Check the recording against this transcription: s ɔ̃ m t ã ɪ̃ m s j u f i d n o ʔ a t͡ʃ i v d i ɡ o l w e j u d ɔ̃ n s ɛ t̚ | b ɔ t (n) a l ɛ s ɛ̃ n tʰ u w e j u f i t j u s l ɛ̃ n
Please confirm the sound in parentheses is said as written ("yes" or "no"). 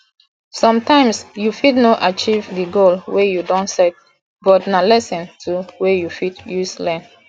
yes